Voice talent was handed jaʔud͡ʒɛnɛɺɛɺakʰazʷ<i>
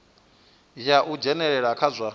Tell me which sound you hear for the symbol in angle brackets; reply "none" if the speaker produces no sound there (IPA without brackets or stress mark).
a